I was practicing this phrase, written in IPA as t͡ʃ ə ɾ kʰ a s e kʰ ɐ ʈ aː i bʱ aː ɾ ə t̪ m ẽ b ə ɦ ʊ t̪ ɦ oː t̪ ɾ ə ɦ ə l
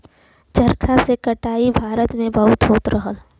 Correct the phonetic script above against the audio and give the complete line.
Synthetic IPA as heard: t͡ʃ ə ɾ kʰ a s e k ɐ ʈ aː i bʱ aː ɾ ə t̪ m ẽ b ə ɦ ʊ t̪ ɦ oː t̪ ɾ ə ɦ ə l